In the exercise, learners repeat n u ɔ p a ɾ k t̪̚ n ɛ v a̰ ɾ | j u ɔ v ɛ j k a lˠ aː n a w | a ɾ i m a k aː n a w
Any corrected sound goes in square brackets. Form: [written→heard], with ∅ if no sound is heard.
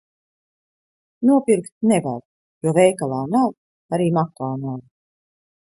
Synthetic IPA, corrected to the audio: n u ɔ p [a→i] ɾ k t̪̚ n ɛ v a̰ ɾ | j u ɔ v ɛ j k a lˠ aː n a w | a ɾ [i→iː] m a k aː n a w